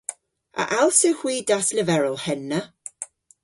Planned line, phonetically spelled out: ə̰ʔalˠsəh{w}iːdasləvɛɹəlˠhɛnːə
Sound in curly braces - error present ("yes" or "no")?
no